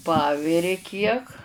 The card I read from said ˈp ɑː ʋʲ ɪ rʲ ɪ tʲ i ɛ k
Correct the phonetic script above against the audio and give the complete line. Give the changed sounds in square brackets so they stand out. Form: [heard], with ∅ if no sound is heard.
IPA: ˈp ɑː ʋʲ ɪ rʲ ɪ [kʲ] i ɛ k